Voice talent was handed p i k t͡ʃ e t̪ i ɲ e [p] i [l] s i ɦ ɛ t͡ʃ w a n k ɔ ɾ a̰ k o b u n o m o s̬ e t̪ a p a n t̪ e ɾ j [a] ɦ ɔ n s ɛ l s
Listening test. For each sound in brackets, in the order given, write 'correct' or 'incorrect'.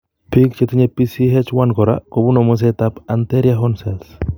correct, incorrect: none, correct

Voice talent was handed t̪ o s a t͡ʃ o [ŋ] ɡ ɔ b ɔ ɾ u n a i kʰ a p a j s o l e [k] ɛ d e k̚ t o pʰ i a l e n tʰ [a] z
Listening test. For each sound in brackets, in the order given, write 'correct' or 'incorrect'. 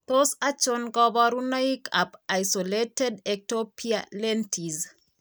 incorrect: n, incorrect: t, incorrect: i

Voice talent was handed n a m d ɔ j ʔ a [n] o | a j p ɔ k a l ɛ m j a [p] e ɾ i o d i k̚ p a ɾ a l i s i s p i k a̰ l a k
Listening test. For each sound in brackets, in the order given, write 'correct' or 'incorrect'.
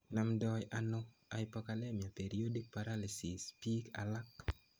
correct, correct

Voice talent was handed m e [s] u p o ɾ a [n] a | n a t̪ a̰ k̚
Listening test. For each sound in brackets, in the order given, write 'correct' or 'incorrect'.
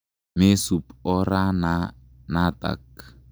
correct, correct

